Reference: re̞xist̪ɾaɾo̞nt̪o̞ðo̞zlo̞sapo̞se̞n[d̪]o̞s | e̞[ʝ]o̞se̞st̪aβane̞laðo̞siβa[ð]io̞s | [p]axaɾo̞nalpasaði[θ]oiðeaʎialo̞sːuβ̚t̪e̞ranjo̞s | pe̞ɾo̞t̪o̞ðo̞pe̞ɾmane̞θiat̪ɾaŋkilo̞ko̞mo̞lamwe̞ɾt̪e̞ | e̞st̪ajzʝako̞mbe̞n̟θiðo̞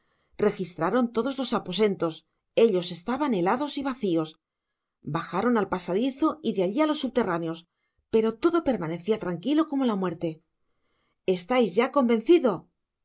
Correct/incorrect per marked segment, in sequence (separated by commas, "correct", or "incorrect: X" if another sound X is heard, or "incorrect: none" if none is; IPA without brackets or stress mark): incorrect: t̪, incorrect: ʎ, incorrect: θ, incorrect: b, correct